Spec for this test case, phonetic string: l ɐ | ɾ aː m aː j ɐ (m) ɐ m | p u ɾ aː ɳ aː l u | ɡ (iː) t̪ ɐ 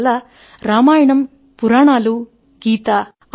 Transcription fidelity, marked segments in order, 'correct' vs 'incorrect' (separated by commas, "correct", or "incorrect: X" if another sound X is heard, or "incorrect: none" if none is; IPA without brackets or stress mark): incorrect: ɳ, correct